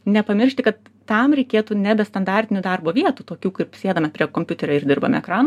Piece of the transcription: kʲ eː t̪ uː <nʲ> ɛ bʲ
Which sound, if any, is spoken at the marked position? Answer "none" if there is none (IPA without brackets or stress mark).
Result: nʲ